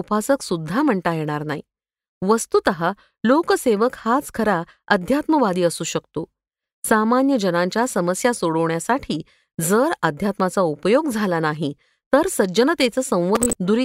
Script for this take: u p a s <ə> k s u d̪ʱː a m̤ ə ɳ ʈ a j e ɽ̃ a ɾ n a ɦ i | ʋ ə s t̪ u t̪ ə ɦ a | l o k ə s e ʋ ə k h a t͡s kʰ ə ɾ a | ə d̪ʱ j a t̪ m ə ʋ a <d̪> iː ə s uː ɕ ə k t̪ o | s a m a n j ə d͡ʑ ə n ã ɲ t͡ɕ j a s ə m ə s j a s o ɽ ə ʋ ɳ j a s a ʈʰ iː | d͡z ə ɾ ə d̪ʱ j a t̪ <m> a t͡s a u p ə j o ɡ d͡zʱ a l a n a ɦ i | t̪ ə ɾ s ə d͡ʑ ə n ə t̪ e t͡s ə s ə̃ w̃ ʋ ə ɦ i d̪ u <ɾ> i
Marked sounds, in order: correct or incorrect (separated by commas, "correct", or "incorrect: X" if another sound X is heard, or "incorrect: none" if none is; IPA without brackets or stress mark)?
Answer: correct, correct, correct, correct